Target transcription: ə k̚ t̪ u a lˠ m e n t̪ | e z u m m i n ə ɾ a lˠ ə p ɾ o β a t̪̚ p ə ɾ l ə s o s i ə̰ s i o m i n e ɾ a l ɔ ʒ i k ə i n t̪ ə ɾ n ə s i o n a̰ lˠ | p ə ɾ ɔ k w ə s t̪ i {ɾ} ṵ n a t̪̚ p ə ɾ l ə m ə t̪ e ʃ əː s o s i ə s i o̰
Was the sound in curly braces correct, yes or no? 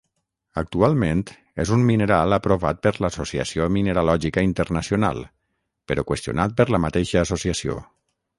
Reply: no